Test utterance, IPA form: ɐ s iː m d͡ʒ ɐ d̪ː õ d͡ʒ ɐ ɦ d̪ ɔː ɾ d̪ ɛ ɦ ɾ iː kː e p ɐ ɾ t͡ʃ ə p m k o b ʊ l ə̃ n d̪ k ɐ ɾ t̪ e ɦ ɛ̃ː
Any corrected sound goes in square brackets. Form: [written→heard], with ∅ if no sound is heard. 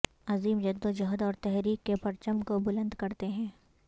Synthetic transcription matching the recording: ɐ [s→z] iː m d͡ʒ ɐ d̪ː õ d͡ʒ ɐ ɦ d̪ ɔː ɾ [d̪→t̪] ɛ ɦ ɾ iː kː e p ɐ ɾ t͡ʃ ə [p→∅] m k o b ʊ l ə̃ n d̪ k ɐ ɾ t̪ e ɦ ɛ̃ː

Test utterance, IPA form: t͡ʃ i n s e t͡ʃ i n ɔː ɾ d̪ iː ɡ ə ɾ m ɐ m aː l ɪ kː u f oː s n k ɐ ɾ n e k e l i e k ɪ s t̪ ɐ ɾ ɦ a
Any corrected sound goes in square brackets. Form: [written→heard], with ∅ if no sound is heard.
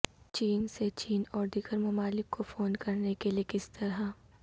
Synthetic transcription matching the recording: t͡ʃ [i→iː] n s e t͡ʃ [i→iː] n ɔː ɾ d̪ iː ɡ ə ɾ m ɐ m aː l ɪ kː [u→o] f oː [s→∅] n k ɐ ɾ n e k e l i e k ɪ s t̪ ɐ ɾ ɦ a

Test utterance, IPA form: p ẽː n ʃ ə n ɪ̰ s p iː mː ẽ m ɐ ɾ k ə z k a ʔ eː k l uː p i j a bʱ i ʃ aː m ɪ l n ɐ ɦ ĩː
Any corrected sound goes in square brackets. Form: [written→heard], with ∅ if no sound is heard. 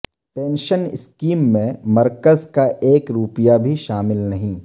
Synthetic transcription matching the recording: p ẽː n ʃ ə n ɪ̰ s [p→k] iː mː ẽ m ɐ ɾ k ə z k a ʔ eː k [l→ɾ] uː p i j a bʱ i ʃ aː m ɪ l n ɐ ɦ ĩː

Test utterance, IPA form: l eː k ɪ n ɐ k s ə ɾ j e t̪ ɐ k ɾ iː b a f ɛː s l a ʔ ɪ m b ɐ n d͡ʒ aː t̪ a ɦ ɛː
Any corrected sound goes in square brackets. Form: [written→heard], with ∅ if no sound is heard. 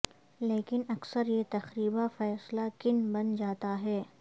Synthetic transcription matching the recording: l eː k ɪ n ɐ k s ə ɾ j e t̪ ɐ [k→x] ɾ iː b a f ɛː s l a [ʔ→k] ɪ [m→n] b ɐ n d͡ʒ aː t̪ a ɦ ɛː

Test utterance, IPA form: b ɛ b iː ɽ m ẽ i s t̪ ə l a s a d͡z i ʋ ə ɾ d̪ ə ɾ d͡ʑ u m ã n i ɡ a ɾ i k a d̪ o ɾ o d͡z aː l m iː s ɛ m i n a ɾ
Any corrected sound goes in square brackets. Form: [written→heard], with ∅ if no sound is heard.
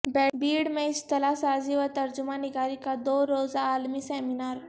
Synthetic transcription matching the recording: b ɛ b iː ɽ m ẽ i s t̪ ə l a s a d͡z i ʋ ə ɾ [d̪→t̪] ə ɾ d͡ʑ u m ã n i ɡ a ɾ i k a d̪ o ɾ o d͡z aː l m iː s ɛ m i n a ɾ

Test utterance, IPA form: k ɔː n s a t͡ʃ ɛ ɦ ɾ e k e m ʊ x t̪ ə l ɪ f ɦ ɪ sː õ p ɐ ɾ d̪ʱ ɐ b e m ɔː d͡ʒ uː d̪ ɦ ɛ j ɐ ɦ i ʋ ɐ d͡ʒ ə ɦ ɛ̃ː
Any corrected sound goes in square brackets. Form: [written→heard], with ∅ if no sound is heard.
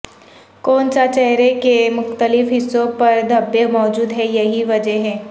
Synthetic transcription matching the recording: k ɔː n s a t͡ʃ ɛ ɦ ɾ e k e m ʊ x t̪ ə l ɪ f ɦ ɪ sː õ p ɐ ɾ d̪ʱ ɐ b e m ɔː d͡ʒ uː d̪ ɦ ɛ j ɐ ɦ i ʋ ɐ d͡ʒ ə ɦ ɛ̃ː

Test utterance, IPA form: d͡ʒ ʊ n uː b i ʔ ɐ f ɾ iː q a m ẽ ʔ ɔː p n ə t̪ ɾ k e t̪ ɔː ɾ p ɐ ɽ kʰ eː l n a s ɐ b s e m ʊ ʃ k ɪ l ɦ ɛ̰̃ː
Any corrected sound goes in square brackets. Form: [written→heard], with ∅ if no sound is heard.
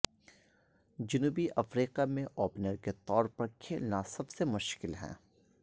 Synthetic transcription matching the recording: d͡ʒ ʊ n uː b i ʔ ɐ f ɾ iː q a m ẽ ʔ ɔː p n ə [t̪→∅] ɾ k e t̪ ɔː ɾ p ɐ [ɽ→ɾ] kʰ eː l n a s ɐ b s e m ʊ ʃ k ɪ l ɦ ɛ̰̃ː

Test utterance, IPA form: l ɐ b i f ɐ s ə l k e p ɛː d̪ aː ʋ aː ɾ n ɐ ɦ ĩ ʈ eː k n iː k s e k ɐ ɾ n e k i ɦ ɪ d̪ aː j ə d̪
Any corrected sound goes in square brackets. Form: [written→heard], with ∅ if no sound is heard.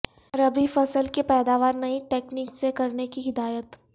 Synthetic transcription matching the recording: [l→ɾ] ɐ b i f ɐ s ə l k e p ɛː d̪ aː ʋ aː ɾ n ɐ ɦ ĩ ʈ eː k n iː k s e k ɐ ɾ n e k i ɦ ɪ d̪ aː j ə [d̪→t̪]

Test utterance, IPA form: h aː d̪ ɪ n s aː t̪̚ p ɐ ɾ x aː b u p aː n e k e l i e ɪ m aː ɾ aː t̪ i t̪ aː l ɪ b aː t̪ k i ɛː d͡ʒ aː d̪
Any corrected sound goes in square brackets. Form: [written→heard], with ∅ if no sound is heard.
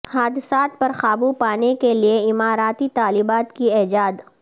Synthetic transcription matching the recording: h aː d̪ ɪ [n→∅] s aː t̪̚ p ɐ ɾ x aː b u p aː n e k e l i e ɪ m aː ɾ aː t̪ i t̪ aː l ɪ b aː t̪ k i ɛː d͡ʒ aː d̪

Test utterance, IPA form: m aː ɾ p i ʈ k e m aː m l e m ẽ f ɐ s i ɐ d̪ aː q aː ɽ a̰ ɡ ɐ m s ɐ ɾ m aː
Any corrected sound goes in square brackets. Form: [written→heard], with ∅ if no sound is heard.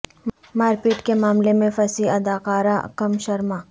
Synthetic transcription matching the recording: m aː ɾ p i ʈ k e m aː m l e m ẽ f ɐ s i ɐ d̪ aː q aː [ɽ→ɾ] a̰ [ɡ→k] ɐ m [s→ʃ] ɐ ɾ m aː

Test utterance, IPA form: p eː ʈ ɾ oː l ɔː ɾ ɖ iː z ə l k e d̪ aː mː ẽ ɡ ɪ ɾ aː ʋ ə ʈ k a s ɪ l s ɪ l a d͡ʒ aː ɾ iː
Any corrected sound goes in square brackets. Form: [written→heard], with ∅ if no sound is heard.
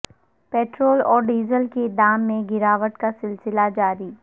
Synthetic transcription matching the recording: p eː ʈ ɾ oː l ɔː ɾ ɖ iː z ə l k e d̪ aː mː ẽ ɡ ɪ ɾ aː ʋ ə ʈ k a s ɪ l s ɪ l a d͡ʒ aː ɾ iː

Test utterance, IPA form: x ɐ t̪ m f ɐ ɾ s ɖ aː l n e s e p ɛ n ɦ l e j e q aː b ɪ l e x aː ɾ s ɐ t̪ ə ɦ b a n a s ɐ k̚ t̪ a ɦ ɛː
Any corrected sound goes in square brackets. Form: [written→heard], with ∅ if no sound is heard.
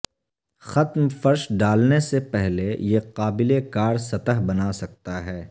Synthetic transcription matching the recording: x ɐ t̪ m f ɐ ɾ [s→ʃ] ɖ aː l n e s e p ɛ [n→∅] ɦ l e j e q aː b ɪ l e [x→k] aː ɾ s ɐ t̪ ə ɦ b [a→ɐ] n a s ɐ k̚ t̪ a ɦ ɛː

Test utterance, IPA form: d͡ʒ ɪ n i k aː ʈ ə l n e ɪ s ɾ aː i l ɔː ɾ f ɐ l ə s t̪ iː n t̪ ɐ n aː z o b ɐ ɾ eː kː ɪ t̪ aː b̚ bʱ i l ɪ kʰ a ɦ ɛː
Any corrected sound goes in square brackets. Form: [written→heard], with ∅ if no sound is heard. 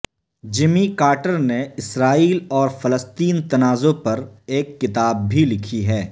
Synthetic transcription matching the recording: d͡ʒ ɪ [n→m] i k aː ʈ ə [l→ɾ] n e ɪ s ɾ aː [i→iː] l ɔː ɾ f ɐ l ə s t̪ iː n t̪ ɐ n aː z o [b→p] ɐ ɾ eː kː ɪ t̪ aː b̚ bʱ i l ɪ kʰ [a→i] ɦ ɛː

